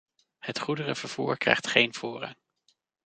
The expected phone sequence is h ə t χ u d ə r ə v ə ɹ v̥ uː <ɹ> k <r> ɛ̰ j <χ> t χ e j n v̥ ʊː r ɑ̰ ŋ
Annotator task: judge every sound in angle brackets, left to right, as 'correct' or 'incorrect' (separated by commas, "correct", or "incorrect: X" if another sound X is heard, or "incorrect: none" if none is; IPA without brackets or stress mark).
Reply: correct, correct, correct